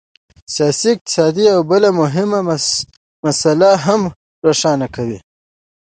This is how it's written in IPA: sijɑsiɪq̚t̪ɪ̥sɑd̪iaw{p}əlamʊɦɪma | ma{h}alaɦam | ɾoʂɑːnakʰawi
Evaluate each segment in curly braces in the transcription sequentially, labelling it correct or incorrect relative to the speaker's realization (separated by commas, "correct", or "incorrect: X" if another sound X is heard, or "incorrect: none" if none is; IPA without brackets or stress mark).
incorrect: b, incorrect: s